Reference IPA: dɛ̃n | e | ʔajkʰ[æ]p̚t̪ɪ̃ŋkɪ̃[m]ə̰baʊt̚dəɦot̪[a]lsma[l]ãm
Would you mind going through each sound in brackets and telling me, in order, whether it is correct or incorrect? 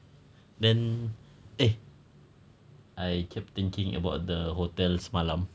incorrect, incorrect, incorrect, correct

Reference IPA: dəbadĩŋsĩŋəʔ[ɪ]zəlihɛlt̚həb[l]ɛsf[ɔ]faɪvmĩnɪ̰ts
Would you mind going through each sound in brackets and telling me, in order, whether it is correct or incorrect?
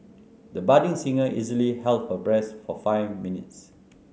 incorrect, incorrect, correct

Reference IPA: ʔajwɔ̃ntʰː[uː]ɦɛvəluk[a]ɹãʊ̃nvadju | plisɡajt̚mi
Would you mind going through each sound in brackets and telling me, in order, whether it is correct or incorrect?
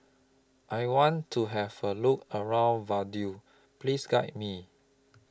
incorrect, incorrect

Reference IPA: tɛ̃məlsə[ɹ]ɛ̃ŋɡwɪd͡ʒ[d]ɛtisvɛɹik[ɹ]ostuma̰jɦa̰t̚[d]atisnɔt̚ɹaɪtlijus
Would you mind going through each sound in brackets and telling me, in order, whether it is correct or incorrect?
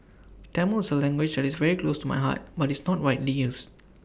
incorrect, correct, incorrect, incorrect

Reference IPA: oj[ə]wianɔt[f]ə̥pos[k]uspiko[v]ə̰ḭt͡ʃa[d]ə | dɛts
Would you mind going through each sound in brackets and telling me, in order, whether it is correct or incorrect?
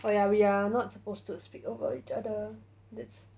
incorrect, incorrect, incorrect, correct, correct

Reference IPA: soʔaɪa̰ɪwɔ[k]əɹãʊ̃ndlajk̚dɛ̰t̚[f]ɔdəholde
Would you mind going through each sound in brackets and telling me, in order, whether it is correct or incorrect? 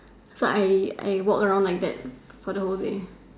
correct, correct

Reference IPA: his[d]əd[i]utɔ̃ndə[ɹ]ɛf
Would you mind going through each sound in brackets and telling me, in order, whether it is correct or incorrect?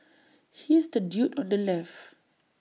correct, incorrect, incorrect

